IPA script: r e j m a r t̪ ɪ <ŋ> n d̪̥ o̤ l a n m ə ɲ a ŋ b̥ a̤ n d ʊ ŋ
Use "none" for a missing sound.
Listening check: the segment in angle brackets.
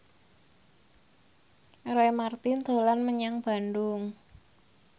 none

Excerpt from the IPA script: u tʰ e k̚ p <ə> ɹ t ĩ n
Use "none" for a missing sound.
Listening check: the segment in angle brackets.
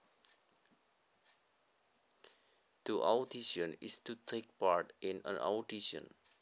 a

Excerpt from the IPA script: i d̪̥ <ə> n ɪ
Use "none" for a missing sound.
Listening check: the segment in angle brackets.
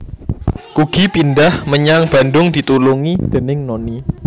ə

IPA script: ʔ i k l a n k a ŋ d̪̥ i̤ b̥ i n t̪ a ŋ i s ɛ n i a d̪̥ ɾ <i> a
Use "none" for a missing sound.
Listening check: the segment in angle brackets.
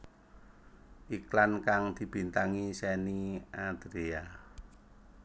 e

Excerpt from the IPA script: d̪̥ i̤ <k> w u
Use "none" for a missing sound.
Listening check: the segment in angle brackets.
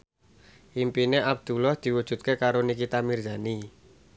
none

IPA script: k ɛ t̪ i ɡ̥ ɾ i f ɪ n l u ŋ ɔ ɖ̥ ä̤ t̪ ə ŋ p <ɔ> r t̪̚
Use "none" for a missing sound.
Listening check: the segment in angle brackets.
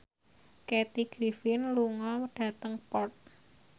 ɔ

